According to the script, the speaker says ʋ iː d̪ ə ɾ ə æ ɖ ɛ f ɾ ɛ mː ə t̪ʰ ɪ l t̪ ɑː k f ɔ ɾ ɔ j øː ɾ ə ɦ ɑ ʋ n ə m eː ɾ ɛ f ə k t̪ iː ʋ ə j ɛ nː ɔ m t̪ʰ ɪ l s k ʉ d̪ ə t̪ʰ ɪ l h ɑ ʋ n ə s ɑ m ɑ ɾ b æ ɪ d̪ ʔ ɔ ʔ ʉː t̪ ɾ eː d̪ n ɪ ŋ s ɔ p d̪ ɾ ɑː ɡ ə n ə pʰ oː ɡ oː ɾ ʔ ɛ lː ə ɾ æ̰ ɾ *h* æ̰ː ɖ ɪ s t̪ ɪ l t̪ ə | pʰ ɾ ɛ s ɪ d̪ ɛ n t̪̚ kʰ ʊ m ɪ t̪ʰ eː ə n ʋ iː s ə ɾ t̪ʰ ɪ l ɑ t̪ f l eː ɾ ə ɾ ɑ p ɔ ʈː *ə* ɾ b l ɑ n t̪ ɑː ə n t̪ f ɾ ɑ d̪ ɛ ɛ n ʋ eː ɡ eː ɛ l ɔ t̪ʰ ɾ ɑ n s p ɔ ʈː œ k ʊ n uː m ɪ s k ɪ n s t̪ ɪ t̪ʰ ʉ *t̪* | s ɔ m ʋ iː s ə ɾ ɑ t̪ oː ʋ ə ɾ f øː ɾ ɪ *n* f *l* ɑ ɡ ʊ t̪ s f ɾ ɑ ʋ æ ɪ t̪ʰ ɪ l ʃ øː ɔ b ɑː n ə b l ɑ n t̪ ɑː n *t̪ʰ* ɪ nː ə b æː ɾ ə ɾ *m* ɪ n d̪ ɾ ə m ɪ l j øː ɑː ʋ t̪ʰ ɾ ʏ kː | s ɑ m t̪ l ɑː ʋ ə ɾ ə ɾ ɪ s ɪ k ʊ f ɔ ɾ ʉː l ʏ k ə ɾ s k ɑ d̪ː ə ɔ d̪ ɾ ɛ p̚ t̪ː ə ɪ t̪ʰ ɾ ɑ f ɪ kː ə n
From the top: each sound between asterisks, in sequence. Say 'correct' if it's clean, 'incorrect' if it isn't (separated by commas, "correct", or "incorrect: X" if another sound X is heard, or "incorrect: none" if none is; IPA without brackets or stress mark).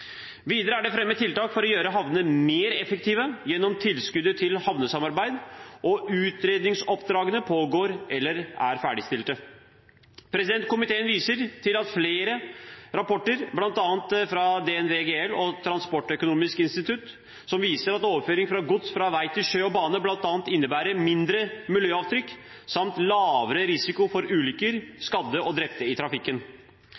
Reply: incorrect: f, correct, correct, incorrect: ŋ, incorrect: ɾ, incorrect: t̪, correct